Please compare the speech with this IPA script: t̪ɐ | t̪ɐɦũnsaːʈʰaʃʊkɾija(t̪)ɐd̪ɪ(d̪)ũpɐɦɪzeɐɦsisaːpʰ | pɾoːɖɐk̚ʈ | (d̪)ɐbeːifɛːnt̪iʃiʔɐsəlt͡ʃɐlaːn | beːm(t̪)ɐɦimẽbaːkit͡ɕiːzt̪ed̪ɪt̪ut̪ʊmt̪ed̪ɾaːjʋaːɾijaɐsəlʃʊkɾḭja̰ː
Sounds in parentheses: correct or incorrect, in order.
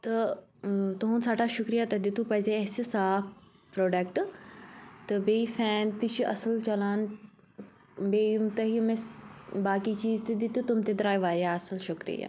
correct, incorrect: t̪, incorrect: t̪, correct

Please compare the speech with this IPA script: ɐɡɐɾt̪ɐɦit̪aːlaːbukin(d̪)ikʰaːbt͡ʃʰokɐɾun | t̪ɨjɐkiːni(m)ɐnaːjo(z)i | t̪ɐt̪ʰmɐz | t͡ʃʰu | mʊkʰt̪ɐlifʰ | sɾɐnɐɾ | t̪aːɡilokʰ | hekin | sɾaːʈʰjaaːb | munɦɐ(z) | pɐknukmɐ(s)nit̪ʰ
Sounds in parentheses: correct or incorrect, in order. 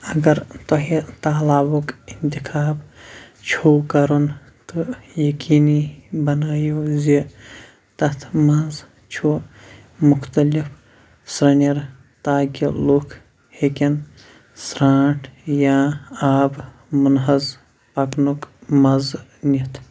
incorrect: t̪, incorrect: b, correct, correct, incorrect: z

